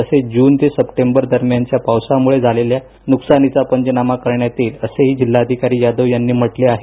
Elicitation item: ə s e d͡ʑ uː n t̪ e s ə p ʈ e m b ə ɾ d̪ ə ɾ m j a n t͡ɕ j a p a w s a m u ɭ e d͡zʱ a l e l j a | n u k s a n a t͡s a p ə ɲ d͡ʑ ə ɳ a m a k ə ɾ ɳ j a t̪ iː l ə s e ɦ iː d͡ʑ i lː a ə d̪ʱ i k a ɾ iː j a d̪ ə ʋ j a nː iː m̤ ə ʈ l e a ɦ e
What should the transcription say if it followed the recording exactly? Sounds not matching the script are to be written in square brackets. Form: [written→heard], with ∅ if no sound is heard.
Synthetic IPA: ə s e d͡ʑ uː n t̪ e s ə p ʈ e m b ə ɾ d̪ ə ɾ m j a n t͡ɕ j a p a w s a m u ɭ e d͡zʱ a l e l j a | n u k s a n [a→i] t͡s a p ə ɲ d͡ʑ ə [ɳ→n] a m a k ə ɾ ɳ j a t̪ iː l ə s e ɦ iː d͡ʑ i lː a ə d̪ʱ i k a ɾ iː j a d̪ ə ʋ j a nː iː m̤ ə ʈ l e a ɦ e

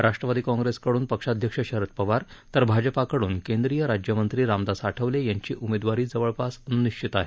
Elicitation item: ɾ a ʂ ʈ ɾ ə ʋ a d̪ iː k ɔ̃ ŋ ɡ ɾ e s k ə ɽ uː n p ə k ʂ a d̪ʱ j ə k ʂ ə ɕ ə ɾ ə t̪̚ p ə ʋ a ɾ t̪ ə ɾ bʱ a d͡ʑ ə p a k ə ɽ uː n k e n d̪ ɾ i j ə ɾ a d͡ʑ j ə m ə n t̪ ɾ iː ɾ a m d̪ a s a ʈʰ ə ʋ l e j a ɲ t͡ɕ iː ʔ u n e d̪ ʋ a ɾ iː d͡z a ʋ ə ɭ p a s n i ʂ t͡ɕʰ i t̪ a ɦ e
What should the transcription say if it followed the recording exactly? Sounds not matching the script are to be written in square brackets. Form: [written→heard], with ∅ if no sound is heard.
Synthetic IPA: ɾ a ʂ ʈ ɾ ə ʋ a d̪ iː k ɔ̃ ŋ ɡ ɾ e s k ə ɽ uː n p ə k ʂ a d̪ʱ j ə k ʂ ə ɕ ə ɾ ə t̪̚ p ə ʋ a ɾ t̪ ə ɾ bʱ a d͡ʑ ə p a k ə ɽ uː n k e n d̪ ɾ i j ə ɾ a d͡ʑ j ə m ə n t̪ ɾ iː ɾ a m d̪ a s a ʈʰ ə ʋ l e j a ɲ t͡ɕ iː ʔ u [n→m] e d̪ ʋ a ɾ iː d͡z [a→ə] ʋ ə ɭ p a s n i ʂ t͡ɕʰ i t̪ a ɦ e

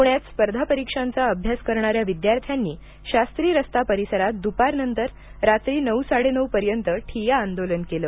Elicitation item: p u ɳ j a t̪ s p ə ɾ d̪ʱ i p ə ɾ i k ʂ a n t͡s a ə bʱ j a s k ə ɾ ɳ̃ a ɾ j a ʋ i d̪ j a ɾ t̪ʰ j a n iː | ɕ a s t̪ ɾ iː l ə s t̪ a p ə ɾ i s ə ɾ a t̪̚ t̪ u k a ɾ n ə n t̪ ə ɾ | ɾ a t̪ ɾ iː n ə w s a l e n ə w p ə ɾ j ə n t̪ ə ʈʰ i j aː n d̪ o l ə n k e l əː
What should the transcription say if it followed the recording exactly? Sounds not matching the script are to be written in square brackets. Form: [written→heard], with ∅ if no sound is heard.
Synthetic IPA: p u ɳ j a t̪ s p ə ɾ d̪ʱ [i→a] p ə ɾ i k ʂ a n t͡s a ə bʱ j a s k ə ɾ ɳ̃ a ɾ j a ʋ i d̪ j a ɾ t̪ʰ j a [n→nː] iː | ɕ a s t̪ ɾ iː [l→ɾ] ə s t̪ a p ə ɾ i s ə ɾ a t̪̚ [t̪→d̪] u [k→p] a ɾ n ə n t̪ ə ɾ | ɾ a t̪ ɾ iː n ə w s a [l→ɽ] e n ə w p ə ɾ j ə n t̪ ə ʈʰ i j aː n d̪ o l ə n k e l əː

